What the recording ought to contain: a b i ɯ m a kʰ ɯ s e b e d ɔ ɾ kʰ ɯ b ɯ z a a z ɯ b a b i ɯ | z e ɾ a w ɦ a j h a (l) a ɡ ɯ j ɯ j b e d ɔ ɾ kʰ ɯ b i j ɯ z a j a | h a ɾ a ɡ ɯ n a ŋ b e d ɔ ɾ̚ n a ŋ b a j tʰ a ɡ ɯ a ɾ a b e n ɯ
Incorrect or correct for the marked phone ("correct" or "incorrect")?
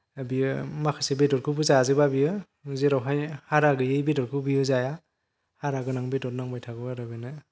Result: incorrect